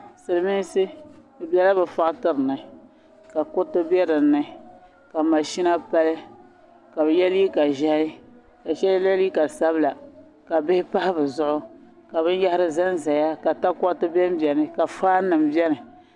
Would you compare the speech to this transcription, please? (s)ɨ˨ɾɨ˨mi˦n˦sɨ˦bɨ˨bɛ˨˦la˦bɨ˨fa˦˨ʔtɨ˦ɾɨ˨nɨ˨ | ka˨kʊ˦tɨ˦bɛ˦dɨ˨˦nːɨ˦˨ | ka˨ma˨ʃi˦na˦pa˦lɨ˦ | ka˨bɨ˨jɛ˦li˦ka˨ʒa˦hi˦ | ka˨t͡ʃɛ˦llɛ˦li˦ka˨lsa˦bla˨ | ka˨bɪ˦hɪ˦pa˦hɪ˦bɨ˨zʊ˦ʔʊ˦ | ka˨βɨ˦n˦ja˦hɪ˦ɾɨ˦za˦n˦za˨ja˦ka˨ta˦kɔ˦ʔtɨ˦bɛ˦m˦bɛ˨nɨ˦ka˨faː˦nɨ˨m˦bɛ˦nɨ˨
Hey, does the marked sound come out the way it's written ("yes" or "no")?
yes